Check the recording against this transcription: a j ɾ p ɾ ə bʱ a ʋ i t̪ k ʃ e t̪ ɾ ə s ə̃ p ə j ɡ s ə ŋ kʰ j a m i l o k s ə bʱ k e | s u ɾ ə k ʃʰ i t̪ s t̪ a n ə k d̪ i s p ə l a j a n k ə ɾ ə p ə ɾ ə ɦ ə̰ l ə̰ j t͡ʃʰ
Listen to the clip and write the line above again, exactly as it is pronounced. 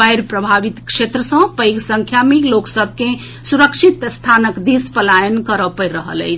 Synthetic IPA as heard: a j ɾ p ɾ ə bʱ a ʋ i t̪ k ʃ e t̪ ɾ ə s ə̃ p ə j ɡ s ə ŋ kʰ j a m i l o k s ə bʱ k e | s u ɾ ə k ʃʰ i t̪ s t̪ʰ a n ə k d̪ i s p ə l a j ə n k ə ɾ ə p ə ɾ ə ɦ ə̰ l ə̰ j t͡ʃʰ